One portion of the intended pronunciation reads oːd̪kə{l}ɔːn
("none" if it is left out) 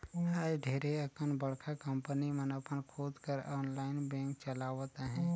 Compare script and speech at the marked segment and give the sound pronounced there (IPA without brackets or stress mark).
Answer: ɾ